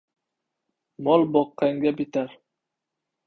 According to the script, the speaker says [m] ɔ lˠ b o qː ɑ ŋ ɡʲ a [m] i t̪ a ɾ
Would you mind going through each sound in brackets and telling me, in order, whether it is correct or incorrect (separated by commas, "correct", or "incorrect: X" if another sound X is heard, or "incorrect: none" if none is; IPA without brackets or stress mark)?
correct, incorrect: b